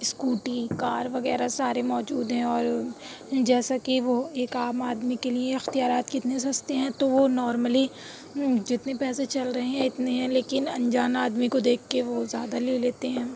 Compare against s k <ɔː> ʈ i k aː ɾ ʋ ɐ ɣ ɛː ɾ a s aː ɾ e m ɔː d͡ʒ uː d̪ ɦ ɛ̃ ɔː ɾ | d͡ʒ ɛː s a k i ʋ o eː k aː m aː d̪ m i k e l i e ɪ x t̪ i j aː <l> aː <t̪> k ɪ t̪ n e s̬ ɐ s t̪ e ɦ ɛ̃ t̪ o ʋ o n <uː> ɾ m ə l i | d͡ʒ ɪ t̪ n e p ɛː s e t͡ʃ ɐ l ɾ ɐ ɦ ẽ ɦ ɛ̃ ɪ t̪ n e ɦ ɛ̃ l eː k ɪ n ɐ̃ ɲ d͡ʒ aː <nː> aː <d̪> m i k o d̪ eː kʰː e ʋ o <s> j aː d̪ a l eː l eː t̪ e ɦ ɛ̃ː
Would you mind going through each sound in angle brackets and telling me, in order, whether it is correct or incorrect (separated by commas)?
incorrect, incorrect, correct, incorrect, incorrect, correct, incorrect